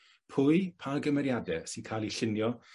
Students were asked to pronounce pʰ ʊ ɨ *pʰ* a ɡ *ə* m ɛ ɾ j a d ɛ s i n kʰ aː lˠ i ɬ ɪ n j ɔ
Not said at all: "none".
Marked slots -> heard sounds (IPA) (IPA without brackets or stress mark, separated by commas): pʰ, ə